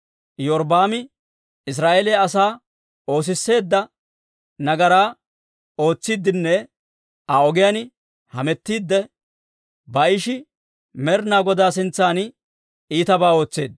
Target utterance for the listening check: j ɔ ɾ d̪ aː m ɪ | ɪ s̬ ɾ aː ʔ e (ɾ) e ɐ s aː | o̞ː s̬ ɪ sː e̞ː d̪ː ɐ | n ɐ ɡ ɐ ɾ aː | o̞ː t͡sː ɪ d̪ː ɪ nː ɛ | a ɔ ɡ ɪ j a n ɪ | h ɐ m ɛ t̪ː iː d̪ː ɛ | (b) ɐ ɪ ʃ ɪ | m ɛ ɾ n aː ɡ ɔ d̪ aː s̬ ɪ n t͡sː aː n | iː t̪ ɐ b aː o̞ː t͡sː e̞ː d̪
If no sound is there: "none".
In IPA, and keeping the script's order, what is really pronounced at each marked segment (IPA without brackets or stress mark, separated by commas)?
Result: l, b